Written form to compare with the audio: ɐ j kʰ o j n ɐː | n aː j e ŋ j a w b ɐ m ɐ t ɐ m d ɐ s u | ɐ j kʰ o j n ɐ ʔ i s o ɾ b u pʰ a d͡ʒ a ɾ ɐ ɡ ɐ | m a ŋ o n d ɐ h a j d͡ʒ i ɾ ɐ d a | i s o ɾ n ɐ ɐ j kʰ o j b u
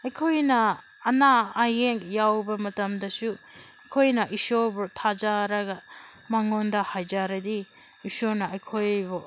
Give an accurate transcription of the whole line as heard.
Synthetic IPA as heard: ɐ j kʰ o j n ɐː | n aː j e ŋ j a w b ɐ m ɐ t ɐ m d ɐ s u | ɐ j kʰ o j n ɐ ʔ i s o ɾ b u tʰ a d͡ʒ a ɾ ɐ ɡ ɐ | m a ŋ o n d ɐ h a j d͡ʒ a ɾ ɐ d i | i s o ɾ n ɐ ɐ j kʰ o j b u